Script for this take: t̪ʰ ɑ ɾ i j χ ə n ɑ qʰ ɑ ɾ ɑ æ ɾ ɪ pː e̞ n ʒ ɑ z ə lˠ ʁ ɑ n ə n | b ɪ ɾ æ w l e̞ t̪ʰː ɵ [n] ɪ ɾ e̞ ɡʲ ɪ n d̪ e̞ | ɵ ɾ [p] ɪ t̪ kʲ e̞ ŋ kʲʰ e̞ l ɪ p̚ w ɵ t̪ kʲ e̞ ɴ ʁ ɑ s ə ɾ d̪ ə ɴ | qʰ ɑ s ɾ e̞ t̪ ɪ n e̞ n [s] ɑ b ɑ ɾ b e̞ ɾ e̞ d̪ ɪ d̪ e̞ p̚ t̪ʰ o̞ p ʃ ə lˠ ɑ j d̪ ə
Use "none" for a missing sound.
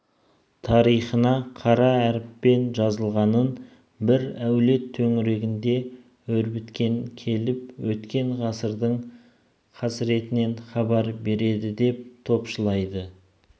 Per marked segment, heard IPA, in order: ŋ, b, χ

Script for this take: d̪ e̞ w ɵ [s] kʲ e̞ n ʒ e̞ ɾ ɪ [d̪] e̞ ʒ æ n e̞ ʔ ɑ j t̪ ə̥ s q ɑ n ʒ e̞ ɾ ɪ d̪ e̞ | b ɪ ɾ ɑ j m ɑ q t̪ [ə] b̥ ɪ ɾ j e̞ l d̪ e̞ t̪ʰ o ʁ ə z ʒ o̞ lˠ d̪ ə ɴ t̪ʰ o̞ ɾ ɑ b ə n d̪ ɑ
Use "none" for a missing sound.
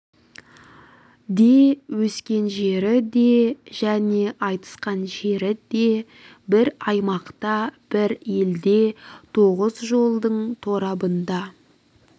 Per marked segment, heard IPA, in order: s, d̪, ɑ

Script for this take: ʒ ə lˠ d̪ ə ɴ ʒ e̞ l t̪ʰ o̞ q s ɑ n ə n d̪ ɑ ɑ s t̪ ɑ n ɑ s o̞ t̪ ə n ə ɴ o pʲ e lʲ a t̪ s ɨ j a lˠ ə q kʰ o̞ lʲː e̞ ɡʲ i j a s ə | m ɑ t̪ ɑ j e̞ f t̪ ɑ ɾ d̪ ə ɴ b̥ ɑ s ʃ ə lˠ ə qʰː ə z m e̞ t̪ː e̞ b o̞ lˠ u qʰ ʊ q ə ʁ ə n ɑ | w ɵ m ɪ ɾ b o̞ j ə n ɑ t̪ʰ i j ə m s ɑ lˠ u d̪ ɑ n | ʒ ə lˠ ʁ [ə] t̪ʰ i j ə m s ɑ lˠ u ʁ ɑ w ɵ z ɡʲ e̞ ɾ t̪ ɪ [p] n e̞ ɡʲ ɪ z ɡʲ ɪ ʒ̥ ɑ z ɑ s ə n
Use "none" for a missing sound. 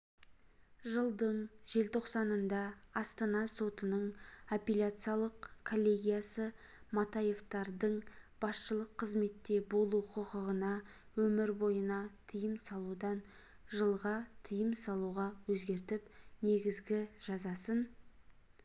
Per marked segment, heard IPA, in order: ɑ, p

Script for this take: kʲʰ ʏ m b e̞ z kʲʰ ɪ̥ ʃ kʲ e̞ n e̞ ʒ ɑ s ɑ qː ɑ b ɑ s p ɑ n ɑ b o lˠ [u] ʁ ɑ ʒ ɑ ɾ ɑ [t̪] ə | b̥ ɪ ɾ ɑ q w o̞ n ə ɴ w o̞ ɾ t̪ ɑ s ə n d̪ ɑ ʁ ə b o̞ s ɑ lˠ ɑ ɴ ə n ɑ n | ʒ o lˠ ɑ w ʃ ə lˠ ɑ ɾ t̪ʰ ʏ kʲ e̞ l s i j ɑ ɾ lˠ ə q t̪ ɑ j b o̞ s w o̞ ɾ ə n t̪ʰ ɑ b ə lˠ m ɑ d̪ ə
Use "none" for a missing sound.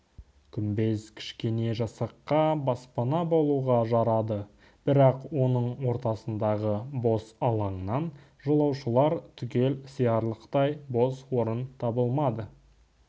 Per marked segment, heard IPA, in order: u, d̪

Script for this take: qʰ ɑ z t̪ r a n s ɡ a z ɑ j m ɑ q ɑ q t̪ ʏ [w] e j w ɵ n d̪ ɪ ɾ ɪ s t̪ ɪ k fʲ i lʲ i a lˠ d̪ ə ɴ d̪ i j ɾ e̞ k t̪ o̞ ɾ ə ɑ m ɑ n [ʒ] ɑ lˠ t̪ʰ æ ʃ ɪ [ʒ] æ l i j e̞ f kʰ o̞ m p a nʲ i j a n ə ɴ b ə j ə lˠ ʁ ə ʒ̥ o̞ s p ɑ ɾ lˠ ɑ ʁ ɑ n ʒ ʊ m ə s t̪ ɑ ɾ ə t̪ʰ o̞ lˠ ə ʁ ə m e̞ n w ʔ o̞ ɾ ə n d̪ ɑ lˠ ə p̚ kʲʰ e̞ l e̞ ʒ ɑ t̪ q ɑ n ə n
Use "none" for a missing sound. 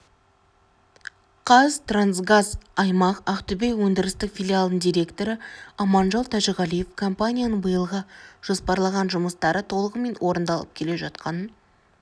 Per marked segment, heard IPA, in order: b, ʒ, ʁ

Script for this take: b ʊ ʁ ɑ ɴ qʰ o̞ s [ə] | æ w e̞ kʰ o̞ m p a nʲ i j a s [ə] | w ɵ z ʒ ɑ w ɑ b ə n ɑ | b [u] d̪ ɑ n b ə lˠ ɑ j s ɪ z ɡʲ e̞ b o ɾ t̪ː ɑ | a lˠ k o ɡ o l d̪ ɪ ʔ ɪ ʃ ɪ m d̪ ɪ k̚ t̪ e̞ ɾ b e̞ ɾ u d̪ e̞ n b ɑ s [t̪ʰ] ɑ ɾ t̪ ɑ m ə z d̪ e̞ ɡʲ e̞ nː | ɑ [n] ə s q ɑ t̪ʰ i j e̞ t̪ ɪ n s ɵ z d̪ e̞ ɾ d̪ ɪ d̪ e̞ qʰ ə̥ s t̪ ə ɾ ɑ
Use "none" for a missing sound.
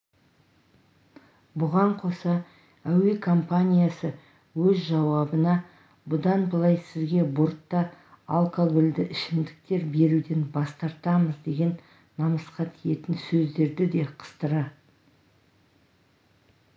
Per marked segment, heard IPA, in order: ɑ, ə, ʊ, t̪, m

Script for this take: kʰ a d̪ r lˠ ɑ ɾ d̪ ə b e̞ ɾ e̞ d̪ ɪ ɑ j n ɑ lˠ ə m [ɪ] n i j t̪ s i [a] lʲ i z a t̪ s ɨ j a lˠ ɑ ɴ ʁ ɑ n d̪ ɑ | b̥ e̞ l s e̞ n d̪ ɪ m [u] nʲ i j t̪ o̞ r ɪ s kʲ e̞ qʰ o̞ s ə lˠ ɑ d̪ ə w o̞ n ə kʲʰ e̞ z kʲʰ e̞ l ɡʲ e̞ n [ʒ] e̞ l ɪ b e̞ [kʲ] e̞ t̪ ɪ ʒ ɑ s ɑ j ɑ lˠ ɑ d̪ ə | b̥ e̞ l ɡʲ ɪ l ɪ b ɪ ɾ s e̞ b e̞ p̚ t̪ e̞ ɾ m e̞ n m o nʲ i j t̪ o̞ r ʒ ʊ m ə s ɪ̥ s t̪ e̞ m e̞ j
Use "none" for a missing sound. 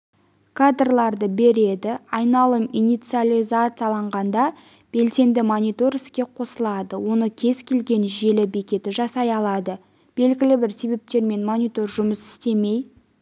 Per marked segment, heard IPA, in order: i, a, o, ʒ, kʲ

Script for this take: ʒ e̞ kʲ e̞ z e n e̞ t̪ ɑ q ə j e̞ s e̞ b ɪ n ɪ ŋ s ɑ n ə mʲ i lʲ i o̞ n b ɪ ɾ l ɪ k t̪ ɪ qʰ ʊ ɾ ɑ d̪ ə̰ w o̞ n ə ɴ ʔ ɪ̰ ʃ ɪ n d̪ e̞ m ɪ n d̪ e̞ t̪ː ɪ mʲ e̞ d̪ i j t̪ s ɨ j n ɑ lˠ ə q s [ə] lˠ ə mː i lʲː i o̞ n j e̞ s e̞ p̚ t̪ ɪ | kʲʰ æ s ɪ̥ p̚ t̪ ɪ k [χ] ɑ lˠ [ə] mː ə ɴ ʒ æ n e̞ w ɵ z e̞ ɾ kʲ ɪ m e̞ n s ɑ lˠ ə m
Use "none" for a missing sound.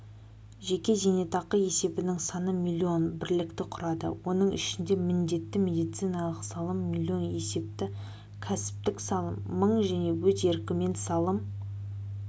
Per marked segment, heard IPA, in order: ɑ, s, ə

